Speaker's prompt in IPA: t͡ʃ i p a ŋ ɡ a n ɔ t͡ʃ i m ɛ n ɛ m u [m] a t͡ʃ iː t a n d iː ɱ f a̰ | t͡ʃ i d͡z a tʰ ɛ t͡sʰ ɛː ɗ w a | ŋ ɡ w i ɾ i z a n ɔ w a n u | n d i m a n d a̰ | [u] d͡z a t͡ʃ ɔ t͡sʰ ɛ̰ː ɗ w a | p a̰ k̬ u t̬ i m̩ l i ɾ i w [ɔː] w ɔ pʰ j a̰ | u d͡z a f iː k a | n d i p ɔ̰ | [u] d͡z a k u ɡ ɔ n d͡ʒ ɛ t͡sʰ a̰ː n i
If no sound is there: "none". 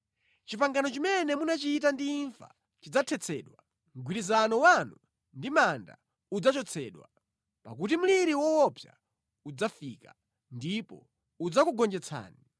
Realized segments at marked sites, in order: n, u, ɔ, u

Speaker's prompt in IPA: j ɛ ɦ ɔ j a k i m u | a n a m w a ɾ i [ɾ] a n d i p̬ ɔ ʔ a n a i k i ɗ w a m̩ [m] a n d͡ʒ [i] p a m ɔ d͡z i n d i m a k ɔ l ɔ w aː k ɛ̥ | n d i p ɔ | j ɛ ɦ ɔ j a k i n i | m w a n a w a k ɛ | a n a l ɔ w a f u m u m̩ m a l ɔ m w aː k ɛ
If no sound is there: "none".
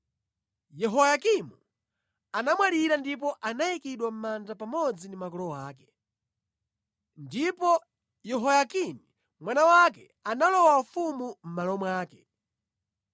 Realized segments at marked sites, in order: ɾ, m, a

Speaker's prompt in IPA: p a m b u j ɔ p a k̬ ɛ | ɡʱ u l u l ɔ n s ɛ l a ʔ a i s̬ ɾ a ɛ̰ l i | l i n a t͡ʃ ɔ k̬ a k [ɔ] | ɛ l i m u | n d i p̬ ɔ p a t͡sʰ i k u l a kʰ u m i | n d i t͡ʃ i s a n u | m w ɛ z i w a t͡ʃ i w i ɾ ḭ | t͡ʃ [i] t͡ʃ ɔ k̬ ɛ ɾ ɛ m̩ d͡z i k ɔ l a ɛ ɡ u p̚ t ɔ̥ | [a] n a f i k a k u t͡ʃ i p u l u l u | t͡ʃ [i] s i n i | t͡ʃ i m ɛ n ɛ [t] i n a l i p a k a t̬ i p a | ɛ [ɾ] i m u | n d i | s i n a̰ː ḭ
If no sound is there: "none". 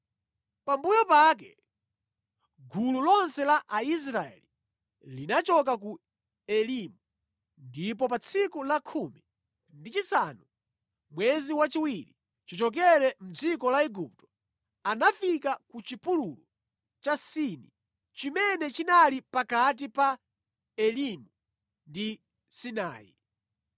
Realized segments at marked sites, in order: u, i, a, a, t͡ʃ, l

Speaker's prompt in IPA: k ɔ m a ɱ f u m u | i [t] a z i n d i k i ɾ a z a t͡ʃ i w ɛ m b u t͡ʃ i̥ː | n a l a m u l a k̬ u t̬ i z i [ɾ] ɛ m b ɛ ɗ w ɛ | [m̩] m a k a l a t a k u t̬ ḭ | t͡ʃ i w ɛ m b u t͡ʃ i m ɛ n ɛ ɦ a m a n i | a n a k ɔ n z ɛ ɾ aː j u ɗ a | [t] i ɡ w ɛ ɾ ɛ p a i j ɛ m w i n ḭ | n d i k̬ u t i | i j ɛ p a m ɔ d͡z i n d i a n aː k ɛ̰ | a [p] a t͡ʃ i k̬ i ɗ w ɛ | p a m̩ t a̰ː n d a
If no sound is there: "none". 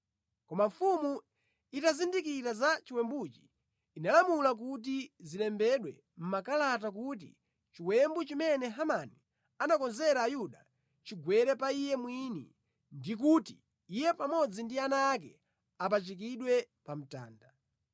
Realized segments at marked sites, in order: t, l, m̩, t͡ʃ, p

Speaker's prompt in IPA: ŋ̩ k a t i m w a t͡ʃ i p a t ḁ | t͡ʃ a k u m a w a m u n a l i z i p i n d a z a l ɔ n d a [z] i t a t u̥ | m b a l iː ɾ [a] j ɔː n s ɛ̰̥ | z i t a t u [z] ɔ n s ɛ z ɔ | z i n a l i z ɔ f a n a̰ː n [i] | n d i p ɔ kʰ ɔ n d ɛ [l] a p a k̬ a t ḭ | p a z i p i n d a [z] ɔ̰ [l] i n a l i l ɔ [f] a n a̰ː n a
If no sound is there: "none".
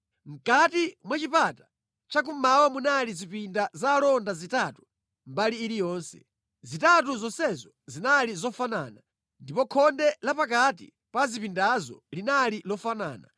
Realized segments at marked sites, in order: z, i, z, a, l, z, l, f

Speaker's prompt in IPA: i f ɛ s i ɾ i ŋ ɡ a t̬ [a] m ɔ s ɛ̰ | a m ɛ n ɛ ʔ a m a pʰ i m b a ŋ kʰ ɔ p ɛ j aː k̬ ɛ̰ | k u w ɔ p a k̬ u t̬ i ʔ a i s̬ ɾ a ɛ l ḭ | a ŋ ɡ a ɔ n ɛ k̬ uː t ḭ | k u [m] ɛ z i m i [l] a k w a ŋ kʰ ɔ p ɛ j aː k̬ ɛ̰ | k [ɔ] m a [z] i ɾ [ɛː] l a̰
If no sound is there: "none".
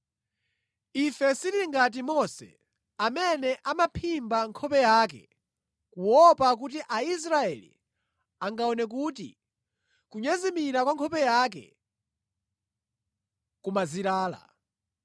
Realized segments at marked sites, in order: i, ɲ, ɾ, u, z, aː

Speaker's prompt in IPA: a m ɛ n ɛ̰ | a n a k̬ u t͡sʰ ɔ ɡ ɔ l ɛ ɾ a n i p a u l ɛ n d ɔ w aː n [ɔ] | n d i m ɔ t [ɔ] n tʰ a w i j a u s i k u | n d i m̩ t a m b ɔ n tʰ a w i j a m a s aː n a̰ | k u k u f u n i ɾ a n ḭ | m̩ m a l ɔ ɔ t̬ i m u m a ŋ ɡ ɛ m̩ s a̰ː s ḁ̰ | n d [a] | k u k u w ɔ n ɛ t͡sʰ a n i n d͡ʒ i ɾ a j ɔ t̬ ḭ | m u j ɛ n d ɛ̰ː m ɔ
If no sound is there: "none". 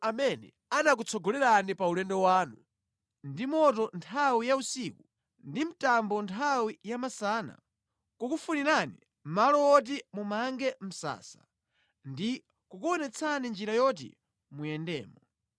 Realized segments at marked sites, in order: u, ɔ, i

